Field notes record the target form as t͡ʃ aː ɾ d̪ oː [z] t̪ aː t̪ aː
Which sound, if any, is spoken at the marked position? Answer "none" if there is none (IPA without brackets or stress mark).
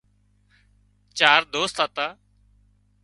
s